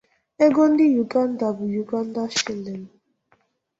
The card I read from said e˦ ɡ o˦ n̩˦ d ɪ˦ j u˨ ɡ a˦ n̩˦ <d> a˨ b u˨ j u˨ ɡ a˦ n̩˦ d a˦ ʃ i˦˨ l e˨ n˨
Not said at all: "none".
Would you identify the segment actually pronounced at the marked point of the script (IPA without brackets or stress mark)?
d